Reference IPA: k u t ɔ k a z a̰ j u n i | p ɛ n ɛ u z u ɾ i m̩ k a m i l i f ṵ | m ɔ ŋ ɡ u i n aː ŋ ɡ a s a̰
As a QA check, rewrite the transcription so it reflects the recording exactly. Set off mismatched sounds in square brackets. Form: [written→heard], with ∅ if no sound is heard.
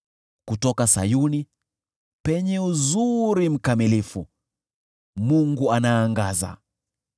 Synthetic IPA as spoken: k u t ɔ k a [z→s] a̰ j u n i | p ɛ [n→ɲ] ɛ u z u ɾ i m̩ k a m i l i f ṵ | m [ɔ→u] ŋ ɡ u [i→a] n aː ŋ ɡ a [s→z] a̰

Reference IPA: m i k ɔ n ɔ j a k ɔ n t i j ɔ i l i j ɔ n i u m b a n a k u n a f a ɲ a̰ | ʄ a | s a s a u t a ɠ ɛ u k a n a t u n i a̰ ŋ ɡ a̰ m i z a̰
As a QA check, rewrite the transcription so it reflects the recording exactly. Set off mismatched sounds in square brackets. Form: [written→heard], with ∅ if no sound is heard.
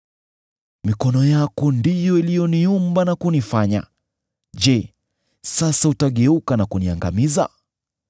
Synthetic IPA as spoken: m i k ɔ n ɔ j a k ɔ n [t→d] i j ɔ i l i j ɔ n i u m b a n a k u n [a→i] f a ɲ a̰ | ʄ [a→ɛ] | s a s a u t a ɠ ɛ u k a n a [t→k] u n i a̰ ŋ ɡ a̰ m i z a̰

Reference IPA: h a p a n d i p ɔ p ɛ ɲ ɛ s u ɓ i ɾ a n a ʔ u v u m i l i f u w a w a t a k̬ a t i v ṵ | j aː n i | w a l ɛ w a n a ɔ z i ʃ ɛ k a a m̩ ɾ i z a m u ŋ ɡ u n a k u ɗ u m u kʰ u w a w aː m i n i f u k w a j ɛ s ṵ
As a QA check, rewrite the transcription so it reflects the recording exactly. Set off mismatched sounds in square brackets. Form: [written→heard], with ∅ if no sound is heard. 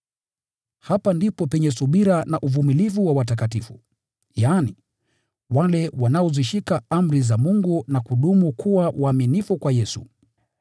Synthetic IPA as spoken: h a p a n d i p ɔ p ɛ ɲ ɛ s u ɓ i ɾ a n a ʔ u v u m i l i [f→v] u w a w a t a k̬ a t i [v→f] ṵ | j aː n i | w a l ɛ w a n a ɔ z i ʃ [ɛ→i] k a a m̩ ɾ i z a m u ŋ ɡ u n a k u ɗ u m u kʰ u w a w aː m i n i f u k w a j ɛ s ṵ

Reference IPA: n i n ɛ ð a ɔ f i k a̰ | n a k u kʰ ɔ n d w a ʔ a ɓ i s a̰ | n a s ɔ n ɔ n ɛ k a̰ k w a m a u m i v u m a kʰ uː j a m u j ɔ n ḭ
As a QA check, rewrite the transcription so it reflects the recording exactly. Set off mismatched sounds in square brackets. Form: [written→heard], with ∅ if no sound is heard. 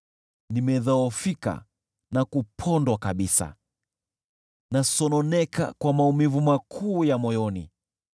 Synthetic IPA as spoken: n i [n→m] ɛ ð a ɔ f i k a̰ | n a k u [kʰ→pʰ] ɔ n d w a [ʔ→k] a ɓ i s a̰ | n a s ɔ n ɔ n ɛ k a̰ k w a m a u m i v u m a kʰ uː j a m [u→ɔ] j ɔ n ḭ

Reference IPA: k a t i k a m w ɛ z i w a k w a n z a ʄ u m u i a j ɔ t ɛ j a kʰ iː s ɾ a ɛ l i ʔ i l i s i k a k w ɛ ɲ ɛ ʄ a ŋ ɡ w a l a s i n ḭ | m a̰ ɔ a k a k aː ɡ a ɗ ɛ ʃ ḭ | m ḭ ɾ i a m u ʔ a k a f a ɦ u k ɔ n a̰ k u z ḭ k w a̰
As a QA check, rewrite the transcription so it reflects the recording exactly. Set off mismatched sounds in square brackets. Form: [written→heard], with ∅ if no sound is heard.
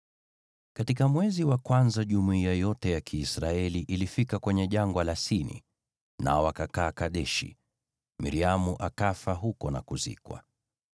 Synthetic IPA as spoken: k a t i k a m w ɛ z i w a k w a n z a ʄ u m u i a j ɔ t ɛ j a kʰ iː s ɾ a ɛ l i ʔ i l i [s→f] i k a k w ɛ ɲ ɛ ʄ a ŋ ɡ w a l a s i n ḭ | [m→n] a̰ ɔ a k a k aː [ɡ→k] a ɗ ɛ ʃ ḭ | m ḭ ɾ i a m u ʔ a k a f a ɦ u k ɔ n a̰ k u z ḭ k w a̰

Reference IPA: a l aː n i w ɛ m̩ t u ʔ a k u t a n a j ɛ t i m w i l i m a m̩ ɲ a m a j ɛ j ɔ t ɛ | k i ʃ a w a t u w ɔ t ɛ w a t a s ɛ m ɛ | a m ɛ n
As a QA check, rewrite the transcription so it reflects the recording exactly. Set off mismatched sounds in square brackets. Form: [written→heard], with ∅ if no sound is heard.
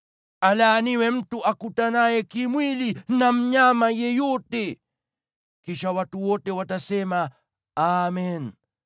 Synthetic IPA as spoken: a l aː n i w ɛ m̩ t u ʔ a k u t a n a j ɛ [t→k] i m w i l i [m→n] a m̩ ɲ a m a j ɛ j ɔ t ɛ | k i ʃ a w a t u w ɔ t ɛ w a t a s ɛ m [ɛ→a] | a m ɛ n

